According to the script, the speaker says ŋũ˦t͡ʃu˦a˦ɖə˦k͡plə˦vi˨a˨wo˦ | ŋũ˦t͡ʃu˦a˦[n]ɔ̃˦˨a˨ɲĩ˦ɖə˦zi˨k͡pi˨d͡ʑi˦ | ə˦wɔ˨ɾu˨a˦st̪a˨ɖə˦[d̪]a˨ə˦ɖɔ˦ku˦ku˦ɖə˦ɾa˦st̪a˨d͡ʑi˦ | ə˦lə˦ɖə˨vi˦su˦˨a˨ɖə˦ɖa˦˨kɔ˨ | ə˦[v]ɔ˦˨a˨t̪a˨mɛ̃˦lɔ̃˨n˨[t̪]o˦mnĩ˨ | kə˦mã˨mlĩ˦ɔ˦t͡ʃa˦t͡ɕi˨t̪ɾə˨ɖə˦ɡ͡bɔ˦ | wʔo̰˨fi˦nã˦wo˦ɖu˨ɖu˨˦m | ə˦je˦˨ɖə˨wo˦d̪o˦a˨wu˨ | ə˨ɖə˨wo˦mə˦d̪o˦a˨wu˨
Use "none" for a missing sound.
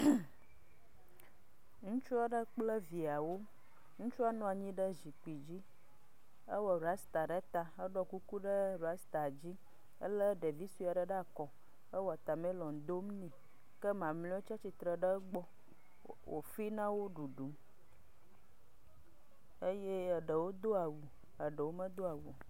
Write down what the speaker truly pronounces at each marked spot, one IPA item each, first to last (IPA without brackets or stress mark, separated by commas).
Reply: n, t̪, w, d̪